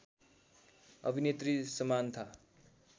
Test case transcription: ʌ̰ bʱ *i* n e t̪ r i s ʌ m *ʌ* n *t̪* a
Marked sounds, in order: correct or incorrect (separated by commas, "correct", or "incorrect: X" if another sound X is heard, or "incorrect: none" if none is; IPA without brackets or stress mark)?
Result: correct, incorrect: a, incorrect: t̪ʰ